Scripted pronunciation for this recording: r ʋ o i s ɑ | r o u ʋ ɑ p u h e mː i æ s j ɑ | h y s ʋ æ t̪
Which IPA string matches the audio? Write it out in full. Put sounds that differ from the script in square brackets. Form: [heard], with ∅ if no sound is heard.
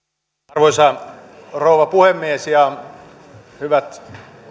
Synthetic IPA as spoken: r ʋ o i s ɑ | r o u ʋ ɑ p u h e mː i [e] s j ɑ | h y [∅] ʋ æ t̪